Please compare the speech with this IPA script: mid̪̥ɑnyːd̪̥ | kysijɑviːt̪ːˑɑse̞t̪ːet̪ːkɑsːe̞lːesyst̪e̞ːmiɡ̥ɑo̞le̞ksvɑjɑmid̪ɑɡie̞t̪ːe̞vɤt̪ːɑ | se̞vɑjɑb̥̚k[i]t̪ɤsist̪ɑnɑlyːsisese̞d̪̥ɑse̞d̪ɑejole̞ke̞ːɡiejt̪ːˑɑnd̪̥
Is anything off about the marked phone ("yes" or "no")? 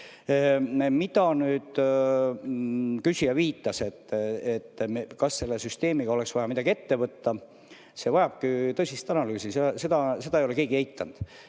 no